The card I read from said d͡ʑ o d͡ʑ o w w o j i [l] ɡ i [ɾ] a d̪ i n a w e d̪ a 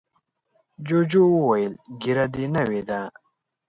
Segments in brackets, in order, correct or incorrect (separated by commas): correct, correct